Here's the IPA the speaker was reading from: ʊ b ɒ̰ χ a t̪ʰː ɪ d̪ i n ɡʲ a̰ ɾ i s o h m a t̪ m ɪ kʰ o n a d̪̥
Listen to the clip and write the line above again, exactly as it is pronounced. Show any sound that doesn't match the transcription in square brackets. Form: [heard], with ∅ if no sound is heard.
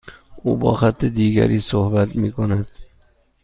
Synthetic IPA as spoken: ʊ b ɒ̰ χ a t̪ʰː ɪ d̪ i [∅] ɡʲ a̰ ɾ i s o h [b] a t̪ m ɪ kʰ o n a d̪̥